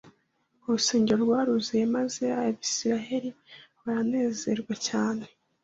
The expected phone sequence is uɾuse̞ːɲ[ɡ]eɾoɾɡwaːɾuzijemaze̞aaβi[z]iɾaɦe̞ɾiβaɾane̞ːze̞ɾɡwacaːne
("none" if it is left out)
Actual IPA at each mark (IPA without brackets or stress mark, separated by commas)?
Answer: ɟ, s